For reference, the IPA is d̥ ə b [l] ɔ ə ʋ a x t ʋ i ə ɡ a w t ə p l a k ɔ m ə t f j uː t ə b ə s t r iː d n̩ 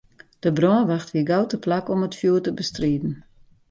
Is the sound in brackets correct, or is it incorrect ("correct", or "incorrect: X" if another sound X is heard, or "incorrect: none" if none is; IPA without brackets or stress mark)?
incorrect: r